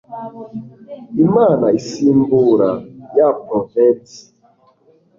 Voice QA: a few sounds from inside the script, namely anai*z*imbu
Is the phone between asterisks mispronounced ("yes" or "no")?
yes